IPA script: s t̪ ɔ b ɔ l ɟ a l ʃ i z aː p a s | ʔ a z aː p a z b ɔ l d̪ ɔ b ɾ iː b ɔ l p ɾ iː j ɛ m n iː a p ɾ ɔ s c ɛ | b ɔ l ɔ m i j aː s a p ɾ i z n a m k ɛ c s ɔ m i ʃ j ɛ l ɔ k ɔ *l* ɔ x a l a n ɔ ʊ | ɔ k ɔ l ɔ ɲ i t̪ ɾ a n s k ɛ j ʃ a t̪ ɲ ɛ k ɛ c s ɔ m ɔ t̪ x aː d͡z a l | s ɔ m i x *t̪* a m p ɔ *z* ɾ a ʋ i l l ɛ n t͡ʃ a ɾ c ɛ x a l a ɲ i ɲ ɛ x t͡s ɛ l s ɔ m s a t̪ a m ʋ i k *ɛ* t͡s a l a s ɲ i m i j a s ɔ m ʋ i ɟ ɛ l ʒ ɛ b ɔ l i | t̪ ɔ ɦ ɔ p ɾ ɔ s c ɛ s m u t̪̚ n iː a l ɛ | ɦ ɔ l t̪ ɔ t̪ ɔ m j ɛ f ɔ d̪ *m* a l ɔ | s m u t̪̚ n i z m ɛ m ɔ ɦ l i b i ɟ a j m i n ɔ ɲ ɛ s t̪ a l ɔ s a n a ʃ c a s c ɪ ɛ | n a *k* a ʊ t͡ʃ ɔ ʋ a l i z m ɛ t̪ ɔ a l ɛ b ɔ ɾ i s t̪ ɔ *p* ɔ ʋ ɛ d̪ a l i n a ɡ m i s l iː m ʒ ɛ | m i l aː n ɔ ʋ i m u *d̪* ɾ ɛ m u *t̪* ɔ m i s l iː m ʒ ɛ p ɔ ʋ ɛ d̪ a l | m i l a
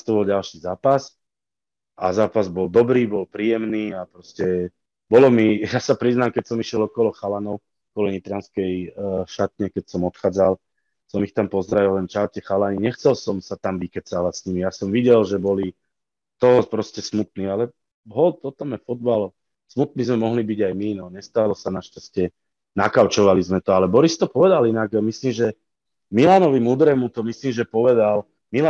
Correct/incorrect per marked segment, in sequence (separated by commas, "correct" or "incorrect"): correct, correct, correct, correct, incorrect, correct, correct, correct, correct